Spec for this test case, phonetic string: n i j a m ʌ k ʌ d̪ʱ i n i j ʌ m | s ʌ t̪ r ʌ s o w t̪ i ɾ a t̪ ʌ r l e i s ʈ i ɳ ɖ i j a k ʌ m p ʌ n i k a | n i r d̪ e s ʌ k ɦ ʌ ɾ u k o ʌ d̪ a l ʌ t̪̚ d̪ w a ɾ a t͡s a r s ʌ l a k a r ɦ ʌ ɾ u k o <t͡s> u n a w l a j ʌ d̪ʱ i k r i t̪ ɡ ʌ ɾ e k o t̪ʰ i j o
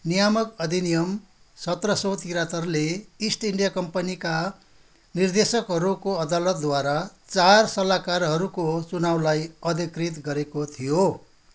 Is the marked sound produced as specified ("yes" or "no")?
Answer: yes